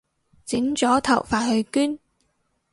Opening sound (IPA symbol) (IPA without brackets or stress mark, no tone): t͡s